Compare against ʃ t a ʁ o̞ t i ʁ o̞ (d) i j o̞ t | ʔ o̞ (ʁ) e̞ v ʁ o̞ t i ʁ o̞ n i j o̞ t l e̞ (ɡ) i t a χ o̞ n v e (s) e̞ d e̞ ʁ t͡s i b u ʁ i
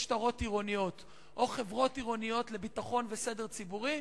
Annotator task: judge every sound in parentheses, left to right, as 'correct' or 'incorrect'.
incorrect: n, incorrect: χ, incorrect: b, correct

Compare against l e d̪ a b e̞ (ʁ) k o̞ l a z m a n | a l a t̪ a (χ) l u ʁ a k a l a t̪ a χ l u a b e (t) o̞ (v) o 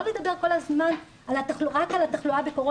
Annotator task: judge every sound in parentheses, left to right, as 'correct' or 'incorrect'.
correct, correct, incorrect: k, incorrect: ʁ

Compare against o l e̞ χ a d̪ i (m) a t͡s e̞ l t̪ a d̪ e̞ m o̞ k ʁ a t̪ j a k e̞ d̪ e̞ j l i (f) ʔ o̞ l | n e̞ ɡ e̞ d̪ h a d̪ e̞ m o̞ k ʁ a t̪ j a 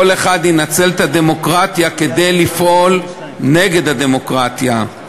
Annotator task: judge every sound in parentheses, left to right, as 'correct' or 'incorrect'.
incorrect: n, correct

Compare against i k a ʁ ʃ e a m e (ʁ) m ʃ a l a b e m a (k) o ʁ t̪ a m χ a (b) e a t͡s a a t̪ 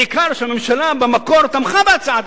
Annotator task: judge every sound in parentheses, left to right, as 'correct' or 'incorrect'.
incorrect: none, correct, correct

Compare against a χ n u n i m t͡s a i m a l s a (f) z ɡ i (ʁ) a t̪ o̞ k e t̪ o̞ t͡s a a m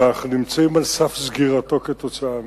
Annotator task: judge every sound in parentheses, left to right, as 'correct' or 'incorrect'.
correct, correct

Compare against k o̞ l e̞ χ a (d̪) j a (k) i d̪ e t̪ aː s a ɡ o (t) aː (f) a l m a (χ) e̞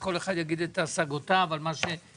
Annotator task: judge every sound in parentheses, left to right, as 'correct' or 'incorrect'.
correct, incorrect: ɡ, correct, incorrect: v, incorrect: ʃ

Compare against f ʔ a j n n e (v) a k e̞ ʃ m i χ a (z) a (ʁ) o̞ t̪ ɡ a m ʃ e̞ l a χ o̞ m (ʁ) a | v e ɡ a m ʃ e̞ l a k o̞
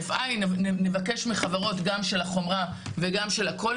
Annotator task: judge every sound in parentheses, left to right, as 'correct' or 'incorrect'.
correct, incorrect: v, correct, correct

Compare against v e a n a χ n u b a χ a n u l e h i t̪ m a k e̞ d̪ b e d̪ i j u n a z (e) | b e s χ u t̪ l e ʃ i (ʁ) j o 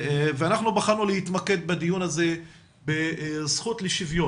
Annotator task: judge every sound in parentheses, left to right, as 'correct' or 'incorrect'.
correct, incorrect: v

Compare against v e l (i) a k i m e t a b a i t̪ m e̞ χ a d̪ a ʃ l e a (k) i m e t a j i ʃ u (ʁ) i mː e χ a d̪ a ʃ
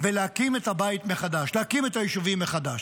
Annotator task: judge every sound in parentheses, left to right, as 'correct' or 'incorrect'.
incorrect: e, correct, incorrect: v

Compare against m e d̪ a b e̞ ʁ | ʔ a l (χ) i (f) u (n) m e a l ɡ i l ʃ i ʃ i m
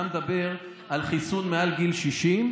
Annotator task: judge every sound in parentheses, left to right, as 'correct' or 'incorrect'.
correct, incorrect: s, correct

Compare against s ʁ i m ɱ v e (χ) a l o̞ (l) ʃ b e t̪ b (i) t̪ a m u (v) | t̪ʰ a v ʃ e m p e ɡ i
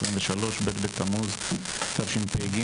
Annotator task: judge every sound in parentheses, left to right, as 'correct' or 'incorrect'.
incorrect: ʃ, incorrect: none, incorrect: e, incorrect: z

